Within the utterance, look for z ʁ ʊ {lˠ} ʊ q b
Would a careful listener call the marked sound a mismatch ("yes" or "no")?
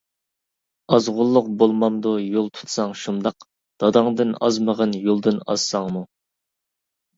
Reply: yes